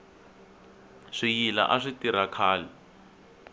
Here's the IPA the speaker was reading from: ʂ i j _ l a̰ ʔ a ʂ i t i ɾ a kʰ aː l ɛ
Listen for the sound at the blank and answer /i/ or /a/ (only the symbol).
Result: i